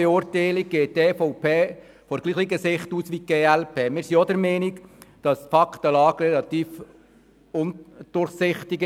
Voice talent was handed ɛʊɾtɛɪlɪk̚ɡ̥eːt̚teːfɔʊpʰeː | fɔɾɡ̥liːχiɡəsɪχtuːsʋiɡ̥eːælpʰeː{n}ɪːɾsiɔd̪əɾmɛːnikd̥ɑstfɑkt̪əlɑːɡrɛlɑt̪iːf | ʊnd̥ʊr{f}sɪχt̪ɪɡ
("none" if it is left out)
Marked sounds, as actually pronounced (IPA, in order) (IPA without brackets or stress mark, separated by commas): m, χ